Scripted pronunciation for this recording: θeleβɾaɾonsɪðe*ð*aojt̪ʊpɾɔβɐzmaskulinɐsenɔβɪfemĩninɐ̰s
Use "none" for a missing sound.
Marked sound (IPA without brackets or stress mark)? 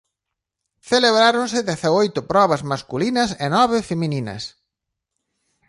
θ